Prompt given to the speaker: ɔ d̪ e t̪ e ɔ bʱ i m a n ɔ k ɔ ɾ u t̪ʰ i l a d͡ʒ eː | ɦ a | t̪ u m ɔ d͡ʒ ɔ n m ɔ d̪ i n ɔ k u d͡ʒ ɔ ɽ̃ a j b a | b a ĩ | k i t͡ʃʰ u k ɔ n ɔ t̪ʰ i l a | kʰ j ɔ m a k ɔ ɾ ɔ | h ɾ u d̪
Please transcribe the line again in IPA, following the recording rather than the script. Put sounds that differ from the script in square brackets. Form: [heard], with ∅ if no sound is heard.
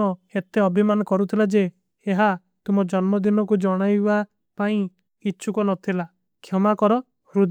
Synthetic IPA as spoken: ɔ [∅] e t̪ e ɔ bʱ i m a n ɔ k ɔ ɾ u t̪ʰ i l a d͡ʒ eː | ɦ a | t̪ u m ɔ d͡ʒ ɔ n m ɔ d̪ i n ɔ k u d͡ʒ ɔ ɽ̃ a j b a | [p] a ĩ | k i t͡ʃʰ u k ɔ n ɔ t̪ʰ i l a | kʰ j ɔ m a k ɔ ɾ ɔ | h ɾ u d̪